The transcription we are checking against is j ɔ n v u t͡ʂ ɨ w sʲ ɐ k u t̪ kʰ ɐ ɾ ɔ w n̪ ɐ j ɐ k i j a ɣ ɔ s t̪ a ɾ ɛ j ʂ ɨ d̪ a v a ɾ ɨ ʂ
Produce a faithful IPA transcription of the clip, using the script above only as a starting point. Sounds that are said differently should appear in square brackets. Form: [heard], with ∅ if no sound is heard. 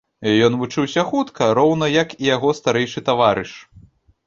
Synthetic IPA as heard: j ɔ n v u t͡ʂ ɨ w sʲ ɐ [x] u t̪ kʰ ɐ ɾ ɔ w n̪ ɐ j ɐ k i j a ɣ ɔ s t̪ a ɾ ɛ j ʂ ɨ [t̪] a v a ɾ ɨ ʂ